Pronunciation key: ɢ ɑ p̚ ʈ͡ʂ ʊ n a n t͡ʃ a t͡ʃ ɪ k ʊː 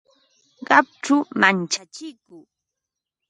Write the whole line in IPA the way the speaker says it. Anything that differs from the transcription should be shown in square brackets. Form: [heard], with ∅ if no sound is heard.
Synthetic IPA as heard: ɢ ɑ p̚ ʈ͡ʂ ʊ [m] a n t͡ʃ a t͡ʃ ɪ k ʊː

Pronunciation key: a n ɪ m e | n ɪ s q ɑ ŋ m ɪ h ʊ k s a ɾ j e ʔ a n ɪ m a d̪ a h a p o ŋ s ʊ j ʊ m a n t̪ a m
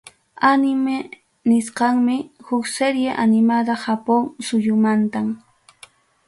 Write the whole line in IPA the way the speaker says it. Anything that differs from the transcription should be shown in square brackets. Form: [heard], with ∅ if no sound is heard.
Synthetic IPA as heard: a n ɪ m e | n ɪ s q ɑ ŋ m ɪ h ʊ k s [e] ɾ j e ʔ a n ɪ m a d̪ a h a p o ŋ s ʊ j ʊ m a n t̪ a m

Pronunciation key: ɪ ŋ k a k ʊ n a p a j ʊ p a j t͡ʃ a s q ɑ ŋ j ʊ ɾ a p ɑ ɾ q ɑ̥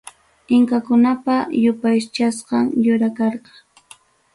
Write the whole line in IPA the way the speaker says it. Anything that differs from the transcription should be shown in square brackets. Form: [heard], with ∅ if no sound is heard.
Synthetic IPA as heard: ɪ ŋ k a k ʊ n a p a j ʊ p a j t͡ʃ a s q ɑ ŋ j ʊ ɾ a [k] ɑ ɾ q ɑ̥

